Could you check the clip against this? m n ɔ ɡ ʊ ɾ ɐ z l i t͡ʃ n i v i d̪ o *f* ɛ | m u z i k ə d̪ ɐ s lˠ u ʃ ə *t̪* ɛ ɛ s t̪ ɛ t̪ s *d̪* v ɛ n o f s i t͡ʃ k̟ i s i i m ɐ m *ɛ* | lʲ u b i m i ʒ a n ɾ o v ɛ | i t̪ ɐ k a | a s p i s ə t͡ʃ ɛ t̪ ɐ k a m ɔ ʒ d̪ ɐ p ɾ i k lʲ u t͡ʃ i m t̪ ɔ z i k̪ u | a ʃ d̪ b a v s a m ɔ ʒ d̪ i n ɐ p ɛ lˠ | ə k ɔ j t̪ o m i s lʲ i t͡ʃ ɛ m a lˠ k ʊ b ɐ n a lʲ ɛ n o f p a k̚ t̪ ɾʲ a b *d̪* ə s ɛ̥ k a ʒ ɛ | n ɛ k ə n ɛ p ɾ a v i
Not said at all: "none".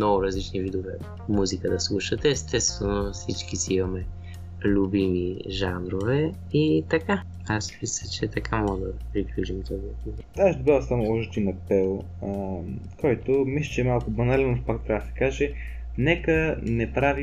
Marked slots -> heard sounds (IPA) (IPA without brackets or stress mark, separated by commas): v, t̪, t̪, ɛ, d̪